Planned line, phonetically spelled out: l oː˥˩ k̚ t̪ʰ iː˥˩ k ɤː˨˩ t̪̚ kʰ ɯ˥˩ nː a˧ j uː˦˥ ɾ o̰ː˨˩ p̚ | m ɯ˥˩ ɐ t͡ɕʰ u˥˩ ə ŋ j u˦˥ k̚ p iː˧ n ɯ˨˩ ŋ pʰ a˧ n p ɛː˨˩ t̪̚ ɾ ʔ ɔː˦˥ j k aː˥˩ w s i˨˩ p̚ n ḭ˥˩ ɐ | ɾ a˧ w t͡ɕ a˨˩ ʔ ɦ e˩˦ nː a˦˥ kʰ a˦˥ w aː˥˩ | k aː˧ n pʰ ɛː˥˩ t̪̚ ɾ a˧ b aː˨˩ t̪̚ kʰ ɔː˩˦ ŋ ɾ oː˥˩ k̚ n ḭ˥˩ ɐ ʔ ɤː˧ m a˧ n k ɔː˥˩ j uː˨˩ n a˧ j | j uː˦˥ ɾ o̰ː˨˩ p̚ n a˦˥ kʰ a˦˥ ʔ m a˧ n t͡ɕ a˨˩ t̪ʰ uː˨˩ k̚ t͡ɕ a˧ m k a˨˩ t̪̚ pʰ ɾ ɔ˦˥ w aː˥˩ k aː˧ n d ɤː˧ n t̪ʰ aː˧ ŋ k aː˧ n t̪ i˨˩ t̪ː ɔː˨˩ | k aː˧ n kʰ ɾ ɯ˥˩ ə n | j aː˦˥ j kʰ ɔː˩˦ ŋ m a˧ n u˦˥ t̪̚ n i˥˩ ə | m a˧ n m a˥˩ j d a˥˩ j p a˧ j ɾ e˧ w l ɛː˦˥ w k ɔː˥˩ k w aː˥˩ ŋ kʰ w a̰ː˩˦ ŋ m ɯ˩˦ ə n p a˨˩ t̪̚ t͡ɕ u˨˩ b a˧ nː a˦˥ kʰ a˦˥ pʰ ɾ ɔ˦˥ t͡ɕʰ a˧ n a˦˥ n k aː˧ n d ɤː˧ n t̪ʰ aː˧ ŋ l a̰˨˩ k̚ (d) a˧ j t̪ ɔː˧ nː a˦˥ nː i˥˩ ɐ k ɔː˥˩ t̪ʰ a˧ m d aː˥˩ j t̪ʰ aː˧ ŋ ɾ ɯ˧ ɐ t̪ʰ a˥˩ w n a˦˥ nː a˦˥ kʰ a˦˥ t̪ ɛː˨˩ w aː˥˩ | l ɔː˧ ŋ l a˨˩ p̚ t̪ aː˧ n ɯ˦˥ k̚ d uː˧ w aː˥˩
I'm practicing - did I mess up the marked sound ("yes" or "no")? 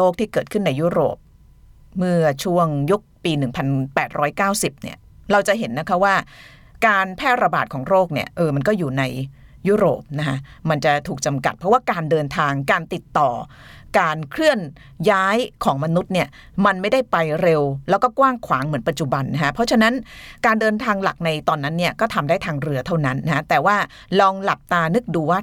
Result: yes